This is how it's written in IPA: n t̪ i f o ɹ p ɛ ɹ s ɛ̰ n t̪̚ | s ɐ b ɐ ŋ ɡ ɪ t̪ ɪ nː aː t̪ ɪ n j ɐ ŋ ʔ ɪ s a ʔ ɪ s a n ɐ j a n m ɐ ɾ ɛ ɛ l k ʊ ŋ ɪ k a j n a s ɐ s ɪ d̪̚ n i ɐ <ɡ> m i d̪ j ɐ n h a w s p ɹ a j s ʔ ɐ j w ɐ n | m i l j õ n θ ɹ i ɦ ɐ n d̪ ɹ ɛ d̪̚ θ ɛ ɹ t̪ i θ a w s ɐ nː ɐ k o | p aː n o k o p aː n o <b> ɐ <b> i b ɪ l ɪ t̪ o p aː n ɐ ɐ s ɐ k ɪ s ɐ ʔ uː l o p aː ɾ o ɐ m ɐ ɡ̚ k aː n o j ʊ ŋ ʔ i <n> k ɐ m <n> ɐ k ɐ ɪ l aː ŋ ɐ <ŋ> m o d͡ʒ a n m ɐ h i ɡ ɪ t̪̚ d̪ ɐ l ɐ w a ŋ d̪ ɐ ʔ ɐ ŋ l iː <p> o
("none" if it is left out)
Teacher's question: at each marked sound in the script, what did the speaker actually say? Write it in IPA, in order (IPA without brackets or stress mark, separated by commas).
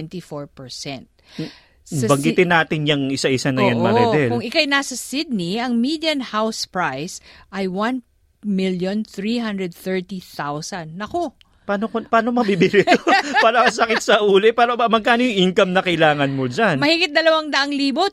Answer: ŋ, m, b, ŋ, n, n, b